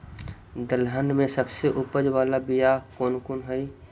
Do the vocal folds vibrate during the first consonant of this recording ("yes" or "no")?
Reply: yes